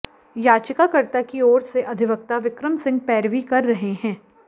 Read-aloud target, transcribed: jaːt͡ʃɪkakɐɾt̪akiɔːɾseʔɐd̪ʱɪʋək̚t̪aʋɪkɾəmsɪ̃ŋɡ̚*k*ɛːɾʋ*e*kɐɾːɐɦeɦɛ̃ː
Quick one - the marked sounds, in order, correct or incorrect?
incorrect: p, incorrect: i

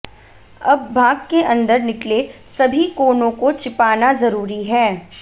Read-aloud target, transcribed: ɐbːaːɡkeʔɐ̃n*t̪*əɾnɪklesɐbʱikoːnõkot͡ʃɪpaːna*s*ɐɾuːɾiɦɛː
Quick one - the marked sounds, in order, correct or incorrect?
incorrect: d̪, incorrect: z

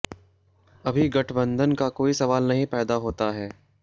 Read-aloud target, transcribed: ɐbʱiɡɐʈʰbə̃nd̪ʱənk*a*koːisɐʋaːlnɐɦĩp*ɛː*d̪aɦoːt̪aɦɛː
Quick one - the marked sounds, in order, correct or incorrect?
correct, correct

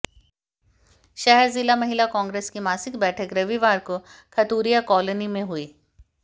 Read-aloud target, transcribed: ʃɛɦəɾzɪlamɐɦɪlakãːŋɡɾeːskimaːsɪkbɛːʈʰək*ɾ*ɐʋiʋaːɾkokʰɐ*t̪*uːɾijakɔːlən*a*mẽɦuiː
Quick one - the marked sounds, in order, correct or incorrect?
correct, correct, incorrect: i

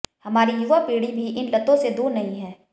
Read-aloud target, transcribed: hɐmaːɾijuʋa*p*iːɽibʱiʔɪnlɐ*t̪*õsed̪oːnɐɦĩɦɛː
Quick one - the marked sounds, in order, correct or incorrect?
correct, correct

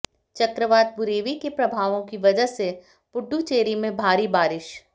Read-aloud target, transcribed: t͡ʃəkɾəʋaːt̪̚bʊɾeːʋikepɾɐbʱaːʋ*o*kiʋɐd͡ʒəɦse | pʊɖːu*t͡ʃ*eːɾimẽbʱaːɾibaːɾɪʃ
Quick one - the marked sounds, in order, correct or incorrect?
incorrect: õ, correct

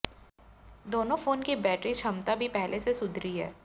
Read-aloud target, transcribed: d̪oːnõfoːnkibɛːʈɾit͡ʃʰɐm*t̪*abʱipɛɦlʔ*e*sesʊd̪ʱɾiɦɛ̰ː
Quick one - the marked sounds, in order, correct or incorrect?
correct, correct

